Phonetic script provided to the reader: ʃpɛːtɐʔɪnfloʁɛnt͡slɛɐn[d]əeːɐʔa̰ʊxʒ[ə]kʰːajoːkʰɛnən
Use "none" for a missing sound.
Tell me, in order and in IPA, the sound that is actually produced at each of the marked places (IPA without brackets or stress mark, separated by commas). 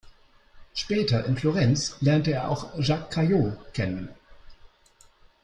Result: t, a